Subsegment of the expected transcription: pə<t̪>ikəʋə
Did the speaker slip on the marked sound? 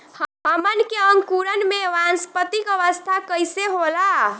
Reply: no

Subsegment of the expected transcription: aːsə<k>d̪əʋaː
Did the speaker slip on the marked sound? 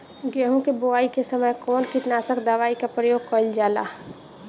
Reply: no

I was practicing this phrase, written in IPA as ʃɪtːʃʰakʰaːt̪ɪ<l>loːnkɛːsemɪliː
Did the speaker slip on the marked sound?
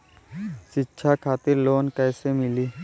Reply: yes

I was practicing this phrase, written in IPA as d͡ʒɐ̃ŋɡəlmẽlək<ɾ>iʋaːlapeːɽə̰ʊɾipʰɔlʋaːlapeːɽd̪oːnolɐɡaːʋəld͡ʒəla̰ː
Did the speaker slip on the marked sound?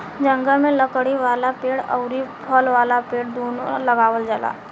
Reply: yes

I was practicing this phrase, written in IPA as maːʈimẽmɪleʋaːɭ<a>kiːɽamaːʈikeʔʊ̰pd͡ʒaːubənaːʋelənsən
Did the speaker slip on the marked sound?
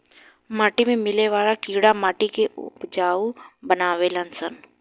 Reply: no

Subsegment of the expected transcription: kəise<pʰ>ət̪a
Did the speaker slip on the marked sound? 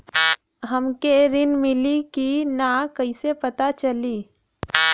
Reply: yes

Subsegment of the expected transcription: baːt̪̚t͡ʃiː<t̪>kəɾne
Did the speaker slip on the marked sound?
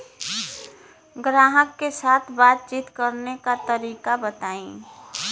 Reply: no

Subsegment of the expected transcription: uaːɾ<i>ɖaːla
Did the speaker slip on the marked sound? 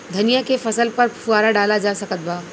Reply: yes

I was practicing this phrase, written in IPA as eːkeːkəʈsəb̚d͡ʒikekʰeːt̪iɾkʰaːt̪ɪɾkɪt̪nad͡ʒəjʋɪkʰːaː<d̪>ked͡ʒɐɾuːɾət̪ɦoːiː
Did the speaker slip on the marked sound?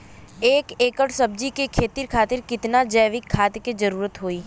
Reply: yes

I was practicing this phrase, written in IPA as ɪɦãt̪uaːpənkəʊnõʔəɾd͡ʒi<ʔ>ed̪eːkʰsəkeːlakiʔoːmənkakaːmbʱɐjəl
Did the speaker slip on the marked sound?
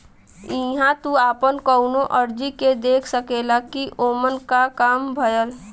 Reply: yes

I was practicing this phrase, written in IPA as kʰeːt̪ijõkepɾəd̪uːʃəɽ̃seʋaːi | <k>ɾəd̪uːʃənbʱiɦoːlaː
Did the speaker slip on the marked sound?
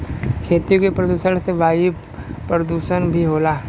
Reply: yes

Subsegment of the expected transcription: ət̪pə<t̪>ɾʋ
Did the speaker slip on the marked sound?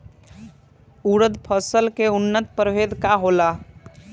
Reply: yes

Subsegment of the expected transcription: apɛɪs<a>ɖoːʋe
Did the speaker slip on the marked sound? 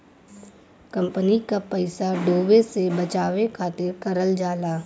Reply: no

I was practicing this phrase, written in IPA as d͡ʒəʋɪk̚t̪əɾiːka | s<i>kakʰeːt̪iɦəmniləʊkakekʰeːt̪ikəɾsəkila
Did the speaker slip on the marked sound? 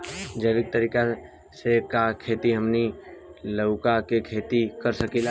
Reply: yes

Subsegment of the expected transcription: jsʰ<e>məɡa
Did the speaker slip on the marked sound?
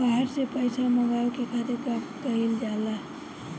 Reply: yes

